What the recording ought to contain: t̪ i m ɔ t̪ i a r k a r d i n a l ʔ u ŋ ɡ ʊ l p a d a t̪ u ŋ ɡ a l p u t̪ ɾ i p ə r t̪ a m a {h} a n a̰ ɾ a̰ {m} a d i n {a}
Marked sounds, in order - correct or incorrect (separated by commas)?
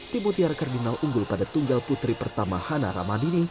correct, correct, incorrect